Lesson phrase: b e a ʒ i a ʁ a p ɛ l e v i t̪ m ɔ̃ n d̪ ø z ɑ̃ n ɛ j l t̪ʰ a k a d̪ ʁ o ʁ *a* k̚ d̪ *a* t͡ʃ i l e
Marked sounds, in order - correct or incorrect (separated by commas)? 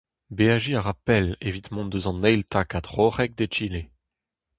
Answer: incorrect, incorrect